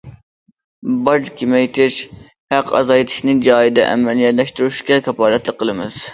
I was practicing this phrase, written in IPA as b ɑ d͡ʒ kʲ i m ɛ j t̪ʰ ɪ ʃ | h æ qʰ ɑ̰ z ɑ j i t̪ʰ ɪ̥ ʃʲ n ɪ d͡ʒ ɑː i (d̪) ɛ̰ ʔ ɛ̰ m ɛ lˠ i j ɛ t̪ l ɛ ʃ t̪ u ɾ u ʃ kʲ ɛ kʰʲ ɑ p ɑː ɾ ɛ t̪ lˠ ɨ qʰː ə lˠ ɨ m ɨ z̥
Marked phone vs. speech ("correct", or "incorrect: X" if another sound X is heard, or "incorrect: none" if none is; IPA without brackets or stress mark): correct